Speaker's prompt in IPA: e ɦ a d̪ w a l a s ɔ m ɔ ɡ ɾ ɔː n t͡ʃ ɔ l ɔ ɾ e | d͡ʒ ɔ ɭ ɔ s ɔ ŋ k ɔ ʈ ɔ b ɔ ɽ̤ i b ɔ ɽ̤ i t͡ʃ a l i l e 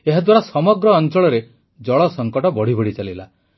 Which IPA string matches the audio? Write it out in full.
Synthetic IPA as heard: e ɦ a d̪ w a ɾ a s ɔ m ɔ ɡ ɾ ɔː n t͡ʃ ɔ ɭ ɔ ɾ e | d͡ʒ ɔ ɭ ɔ s ɔ ŋ k ɔ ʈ ɔ b ɔ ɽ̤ i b ɔ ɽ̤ i t͡ʃ a l i l a